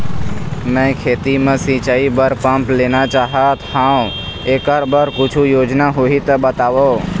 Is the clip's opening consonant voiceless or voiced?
voiced